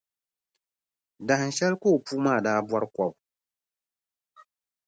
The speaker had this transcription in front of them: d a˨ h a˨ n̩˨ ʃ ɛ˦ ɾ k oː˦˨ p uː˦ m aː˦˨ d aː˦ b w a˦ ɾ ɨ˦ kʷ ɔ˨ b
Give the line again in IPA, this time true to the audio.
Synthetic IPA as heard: d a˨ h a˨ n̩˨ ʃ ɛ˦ l k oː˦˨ p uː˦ m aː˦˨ d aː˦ b w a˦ ɾ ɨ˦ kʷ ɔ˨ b